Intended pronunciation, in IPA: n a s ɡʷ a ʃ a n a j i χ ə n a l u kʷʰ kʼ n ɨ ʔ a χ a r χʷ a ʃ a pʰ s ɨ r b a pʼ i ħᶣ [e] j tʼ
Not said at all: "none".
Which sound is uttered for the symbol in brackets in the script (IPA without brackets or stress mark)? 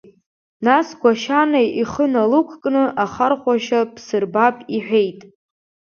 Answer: e